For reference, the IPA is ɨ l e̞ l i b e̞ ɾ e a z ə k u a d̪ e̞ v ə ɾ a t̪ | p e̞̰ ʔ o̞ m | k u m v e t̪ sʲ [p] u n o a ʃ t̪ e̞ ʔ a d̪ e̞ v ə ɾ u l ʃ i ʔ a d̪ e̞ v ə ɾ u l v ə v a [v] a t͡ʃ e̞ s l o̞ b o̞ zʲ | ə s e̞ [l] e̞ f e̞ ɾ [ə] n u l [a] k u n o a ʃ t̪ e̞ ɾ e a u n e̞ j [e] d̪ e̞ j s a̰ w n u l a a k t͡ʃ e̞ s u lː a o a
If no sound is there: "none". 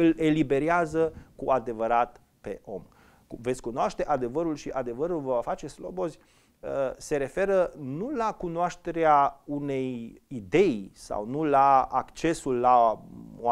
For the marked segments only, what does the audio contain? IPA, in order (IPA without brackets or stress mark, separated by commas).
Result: k, f, ɾ, ə, a, i